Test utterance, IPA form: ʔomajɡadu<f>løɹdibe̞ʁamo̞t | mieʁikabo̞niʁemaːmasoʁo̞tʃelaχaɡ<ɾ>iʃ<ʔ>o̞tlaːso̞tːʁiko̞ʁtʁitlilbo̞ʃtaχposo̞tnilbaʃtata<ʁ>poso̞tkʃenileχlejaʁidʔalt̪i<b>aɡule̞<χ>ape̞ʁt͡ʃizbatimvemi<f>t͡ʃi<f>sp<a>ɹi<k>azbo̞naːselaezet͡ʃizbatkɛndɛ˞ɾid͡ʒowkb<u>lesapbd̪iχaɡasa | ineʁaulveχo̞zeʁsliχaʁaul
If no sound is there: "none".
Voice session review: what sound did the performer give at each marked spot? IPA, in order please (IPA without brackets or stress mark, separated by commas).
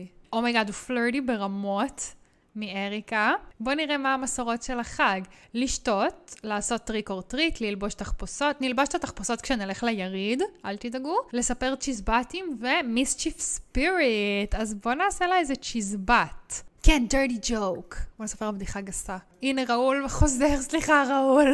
f, l, t, χ, d, s, s, f, i, t, o